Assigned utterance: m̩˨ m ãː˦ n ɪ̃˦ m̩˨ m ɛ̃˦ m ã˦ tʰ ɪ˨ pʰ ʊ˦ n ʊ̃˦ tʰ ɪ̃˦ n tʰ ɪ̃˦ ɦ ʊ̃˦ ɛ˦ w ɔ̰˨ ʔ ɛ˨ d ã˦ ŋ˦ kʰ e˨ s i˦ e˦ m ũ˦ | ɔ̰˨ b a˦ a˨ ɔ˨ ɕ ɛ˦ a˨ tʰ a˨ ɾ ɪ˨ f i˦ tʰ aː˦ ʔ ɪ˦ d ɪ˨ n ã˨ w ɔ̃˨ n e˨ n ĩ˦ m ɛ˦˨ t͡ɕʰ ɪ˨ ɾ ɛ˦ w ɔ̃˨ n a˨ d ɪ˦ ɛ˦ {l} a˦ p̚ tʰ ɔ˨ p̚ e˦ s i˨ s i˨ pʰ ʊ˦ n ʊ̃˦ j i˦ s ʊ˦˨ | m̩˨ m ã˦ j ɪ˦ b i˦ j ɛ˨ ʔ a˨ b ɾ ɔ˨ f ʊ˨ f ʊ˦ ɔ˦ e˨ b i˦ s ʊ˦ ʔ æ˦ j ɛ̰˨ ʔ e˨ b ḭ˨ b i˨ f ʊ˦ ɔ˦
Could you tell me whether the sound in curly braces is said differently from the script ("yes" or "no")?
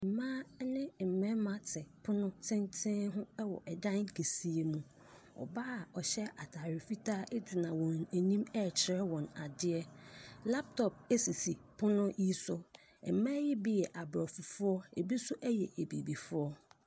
no